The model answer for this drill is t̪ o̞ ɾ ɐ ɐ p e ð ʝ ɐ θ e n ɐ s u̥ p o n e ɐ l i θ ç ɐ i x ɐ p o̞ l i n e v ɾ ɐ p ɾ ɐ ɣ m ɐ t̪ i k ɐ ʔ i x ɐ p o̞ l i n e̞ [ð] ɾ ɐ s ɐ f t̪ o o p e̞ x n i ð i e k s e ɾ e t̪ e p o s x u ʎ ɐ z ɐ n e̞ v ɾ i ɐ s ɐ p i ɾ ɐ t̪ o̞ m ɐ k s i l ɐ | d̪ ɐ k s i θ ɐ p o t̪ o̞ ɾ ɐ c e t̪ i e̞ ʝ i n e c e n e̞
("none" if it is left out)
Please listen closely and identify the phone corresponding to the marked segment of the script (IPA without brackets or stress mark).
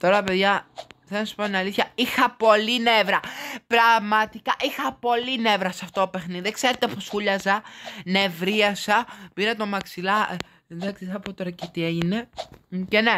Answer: v